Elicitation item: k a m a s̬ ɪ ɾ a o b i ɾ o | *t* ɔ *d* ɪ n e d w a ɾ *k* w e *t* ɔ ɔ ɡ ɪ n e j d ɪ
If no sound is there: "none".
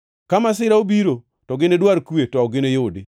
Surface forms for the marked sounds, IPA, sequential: t, ɡ, k, t

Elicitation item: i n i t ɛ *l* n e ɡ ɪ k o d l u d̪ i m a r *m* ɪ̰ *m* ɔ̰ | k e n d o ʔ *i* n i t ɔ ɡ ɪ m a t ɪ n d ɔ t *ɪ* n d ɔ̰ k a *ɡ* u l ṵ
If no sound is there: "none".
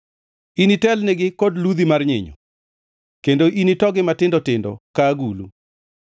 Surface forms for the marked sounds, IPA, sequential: l, ɲ, ɲ, i, ɪ, ɡ

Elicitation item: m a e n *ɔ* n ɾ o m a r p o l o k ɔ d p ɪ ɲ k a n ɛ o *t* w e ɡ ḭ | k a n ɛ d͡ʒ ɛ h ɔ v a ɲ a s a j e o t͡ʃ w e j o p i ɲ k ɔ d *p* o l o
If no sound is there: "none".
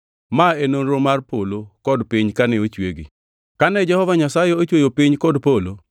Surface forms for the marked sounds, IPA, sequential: o, t͡ʃ, p

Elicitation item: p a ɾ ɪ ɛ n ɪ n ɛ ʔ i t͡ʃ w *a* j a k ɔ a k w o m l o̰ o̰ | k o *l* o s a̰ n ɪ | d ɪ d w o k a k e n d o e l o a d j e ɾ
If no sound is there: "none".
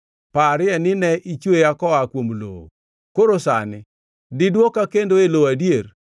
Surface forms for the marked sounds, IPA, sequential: e, ɾ

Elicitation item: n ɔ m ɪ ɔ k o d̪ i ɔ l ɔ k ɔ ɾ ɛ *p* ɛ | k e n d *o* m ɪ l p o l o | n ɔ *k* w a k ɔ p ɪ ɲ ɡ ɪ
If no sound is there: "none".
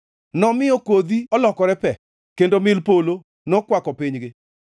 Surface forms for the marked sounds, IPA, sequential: p, o, k

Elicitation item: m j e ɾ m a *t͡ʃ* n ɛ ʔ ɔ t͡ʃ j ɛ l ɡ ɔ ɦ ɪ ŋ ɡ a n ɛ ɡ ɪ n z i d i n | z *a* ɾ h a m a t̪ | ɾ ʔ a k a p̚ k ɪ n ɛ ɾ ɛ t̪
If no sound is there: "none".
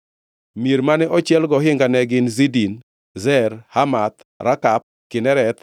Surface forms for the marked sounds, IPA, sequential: none, ɛ

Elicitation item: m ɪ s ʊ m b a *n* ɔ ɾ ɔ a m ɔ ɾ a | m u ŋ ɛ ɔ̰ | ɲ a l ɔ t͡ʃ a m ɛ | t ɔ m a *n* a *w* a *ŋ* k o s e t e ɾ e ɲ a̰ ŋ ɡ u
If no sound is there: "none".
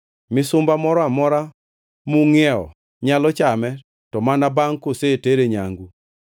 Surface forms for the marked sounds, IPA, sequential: m, n, b, ŋ

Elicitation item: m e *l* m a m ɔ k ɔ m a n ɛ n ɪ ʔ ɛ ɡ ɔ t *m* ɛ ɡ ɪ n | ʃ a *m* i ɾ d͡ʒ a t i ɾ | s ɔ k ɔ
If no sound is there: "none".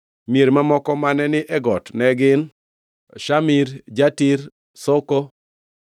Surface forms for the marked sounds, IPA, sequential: ɾ, n, m

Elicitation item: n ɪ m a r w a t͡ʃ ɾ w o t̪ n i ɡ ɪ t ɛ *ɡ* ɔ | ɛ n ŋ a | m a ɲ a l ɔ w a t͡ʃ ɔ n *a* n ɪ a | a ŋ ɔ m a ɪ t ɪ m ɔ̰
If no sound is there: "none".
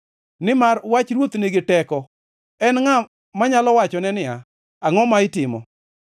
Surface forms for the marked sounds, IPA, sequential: k, ɛ

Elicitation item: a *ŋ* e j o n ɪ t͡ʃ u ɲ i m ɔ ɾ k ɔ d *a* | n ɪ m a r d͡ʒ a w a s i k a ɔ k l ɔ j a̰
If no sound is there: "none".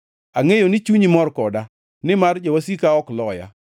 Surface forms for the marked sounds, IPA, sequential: ŋ, a

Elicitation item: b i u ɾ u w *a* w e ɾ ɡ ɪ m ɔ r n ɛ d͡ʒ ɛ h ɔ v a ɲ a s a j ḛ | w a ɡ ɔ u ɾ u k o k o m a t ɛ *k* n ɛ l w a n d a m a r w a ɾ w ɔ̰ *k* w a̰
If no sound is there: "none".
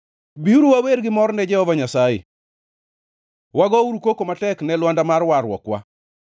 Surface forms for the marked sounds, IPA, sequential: a, k, k

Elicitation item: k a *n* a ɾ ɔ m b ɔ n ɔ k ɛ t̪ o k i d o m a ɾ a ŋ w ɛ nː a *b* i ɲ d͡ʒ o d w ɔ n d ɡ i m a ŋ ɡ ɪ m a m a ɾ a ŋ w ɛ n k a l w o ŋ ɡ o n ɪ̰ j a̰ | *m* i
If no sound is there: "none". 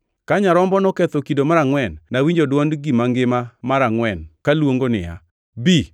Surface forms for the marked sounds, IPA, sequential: ɲ, w, b

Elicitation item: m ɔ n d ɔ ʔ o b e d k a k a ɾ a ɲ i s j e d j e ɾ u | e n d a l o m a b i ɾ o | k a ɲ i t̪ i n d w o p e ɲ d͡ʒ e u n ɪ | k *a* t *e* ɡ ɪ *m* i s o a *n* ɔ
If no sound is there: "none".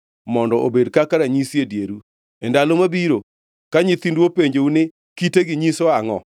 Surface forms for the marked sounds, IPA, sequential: i, e, ɲ, ŋ

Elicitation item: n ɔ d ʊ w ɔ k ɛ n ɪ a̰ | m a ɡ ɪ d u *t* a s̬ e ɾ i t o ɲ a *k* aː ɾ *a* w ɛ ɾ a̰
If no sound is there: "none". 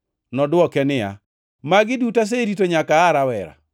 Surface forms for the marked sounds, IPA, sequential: t, k, a

